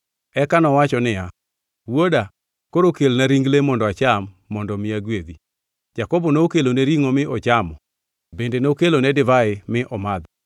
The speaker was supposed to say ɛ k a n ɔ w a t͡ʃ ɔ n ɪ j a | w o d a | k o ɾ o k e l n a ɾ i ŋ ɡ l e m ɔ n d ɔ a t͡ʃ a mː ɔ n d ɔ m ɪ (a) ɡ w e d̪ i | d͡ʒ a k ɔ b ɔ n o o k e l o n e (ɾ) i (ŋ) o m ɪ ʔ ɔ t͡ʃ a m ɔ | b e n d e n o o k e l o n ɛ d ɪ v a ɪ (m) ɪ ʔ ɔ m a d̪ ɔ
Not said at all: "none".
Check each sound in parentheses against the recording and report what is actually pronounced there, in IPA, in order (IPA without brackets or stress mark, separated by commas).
a, ɾ, ŋ, m